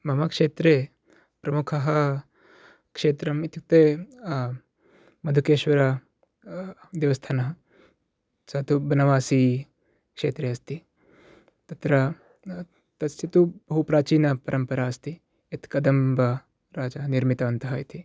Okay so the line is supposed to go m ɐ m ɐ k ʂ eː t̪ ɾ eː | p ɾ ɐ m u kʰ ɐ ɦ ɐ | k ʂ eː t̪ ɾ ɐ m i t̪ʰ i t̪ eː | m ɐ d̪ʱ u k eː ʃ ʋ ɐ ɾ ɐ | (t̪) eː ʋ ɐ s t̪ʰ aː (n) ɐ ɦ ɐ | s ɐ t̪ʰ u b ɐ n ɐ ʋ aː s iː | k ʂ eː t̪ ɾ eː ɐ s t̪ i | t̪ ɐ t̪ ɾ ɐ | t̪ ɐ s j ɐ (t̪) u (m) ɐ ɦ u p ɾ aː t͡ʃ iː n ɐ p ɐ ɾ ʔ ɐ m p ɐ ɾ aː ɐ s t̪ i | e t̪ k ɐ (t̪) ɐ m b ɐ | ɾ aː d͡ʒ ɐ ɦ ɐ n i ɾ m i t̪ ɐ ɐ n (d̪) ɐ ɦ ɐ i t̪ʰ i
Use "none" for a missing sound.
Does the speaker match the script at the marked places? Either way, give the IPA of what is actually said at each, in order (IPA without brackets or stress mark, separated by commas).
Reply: d̪, n, t̪, b, d̪, t̪